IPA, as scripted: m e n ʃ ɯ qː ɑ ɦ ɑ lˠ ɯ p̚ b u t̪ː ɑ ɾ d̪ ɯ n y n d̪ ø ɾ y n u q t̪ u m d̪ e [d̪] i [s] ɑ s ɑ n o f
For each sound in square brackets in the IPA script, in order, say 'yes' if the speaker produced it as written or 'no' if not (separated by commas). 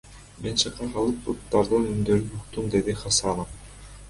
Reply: yes, no